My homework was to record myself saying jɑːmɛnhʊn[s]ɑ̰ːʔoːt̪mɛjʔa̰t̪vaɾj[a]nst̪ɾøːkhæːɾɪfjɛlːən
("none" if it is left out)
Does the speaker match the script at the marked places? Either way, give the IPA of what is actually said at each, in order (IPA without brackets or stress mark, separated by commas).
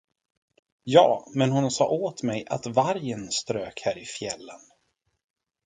s, ə